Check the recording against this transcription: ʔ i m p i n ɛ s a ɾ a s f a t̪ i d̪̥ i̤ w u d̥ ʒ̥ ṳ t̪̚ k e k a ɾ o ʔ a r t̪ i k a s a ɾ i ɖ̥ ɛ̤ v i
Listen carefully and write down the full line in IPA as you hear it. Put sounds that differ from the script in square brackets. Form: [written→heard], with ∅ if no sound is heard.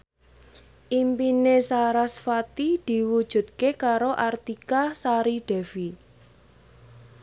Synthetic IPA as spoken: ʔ i m p i n [ɛ→e] s a ɾ a s f a t̪ i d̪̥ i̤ w u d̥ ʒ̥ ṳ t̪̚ k e k a ɾ o ʔ a r t̪ i k a s a ɾ i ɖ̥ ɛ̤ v i